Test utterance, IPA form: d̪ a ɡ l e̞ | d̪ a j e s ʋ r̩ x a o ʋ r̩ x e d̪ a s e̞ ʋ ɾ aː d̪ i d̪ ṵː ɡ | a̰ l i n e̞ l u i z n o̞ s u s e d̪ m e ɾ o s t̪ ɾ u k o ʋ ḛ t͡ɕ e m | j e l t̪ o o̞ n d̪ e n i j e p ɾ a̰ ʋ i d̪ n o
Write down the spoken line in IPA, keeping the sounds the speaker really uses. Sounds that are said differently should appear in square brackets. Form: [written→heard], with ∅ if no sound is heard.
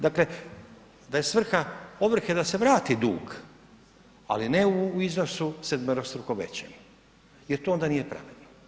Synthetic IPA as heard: d̪ a [ɡ→k] l e̞ | d̪ a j e s ʋ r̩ x a o ʋ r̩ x e d̪ a s e̞ ʋ ɾ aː [d̪→t̪] i d̪ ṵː ɡ | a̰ l i n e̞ [l→∅] u i z n o̞ s u s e d̪ m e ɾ o s t̪ ɾ u k o ʋ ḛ t͡ɕ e m | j e [l→ɾ] t̪ o o̞ n d̪ [e→a] n i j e p ɾ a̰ ʋ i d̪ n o

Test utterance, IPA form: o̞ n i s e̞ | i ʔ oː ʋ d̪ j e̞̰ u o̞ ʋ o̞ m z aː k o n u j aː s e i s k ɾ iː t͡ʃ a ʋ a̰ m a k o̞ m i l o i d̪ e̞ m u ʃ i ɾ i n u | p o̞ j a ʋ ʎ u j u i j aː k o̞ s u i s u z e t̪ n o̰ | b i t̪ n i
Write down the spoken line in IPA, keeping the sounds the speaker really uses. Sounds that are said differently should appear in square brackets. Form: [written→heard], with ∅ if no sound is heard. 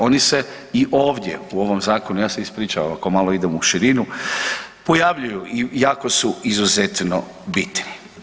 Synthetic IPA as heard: o̞ n i s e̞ | i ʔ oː ʋ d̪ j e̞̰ u o̞ ʋ o̞ m z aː k o n u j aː s e i s [k→p] ɾ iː t͡ʃ a ʋ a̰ m a k o̞ m [i→a] l o i d̪ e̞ m u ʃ i ɾ i n u | p o̞ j a ʋ ʎ u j u i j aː k o̞ s u i [s→z] u z e t̪ n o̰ | b i t̪ n i

